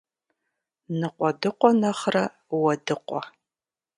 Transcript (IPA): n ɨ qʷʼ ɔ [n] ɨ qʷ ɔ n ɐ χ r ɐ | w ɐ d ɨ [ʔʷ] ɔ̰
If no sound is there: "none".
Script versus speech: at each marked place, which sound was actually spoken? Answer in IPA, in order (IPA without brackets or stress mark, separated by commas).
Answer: d, qʷ